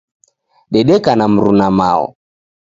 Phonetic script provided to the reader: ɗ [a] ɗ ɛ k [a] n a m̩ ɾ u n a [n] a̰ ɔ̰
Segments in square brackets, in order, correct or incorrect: incorrect, correct, incorrect

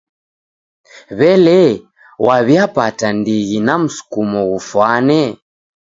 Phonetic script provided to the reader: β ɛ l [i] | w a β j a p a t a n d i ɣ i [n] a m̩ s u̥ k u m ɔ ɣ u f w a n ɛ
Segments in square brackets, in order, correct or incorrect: incorrect, correct

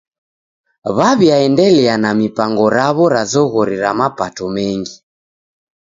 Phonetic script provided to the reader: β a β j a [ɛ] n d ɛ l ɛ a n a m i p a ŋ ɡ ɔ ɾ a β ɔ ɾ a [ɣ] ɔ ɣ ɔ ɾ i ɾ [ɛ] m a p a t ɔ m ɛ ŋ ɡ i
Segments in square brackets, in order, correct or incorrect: correct, incorrect, incorrect

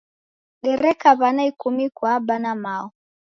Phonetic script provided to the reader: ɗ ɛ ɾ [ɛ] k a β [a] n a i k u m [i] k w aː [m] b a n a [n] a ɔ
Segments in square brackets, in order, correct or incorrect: correct, correct, correct, incorrect, incorrect

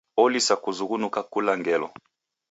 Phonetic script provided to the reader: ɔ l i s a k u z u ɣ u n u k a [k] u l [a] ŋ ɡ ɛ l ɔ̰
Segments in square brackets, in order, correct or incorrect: correct, correct

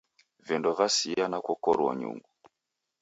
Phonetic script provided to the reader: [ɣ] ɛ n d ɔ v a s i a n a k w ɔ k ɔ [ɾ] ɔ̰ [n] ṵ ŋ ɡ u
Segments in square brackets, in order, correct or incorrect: incorrect, correct, incorrect

